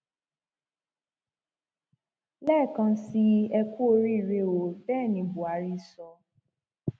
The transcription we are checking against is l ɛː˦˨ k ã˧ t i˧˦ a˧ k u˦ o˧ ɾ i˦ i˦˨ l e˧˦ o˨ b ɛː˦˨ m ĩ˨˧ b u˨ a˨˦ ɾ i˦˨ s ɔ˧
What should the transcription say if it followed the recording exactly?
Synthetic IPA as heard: l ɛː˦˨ k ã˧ s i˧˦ ɛ˧ k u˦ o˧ ɾ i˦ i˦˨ ɾ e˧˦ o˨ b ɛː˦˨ n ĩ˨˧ b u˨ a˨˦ ɾ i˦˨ s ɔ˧